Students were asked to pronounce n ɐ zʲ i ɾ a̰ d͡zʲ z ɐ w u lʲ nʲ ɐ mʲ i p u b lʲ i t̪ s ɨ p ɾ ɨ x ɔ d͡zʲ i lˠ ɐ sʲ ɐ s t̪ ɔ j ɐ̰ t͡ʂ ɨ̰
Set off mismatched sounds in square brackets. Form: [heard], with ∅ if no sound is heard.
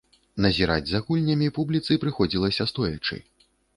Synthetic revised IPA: n ɐ zʲ i ɾ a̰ d͡zʲ z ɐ [ɣ] u lʲ nʲ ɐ mʲ i p u b lʲ i t̪ s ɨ p ɾ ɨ x ɔ d͡zʲ i lˠ ɐ sʲ ɐ s t̪ ɔ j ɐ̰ t͡ʂ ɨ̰